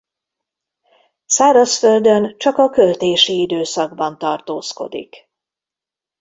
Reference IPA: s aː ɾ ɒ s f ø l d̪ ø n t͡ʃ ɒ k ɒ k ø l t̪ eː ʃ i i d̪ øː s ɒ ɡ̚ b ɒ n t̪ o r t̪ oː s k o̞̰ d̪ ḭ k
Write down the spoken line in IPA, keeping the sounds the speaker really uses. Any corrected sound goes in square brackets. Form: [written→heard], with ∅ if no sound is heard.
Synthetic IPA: s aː ɾ ɒ s f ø l d̪ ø n t͡ʃ ɒ k ɒ k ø l t̪ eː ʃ i i d̪ øː s ɒ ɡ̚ b ɒ n t̪ [o→ɒ] r t̪ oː s k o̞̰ d̪ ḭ k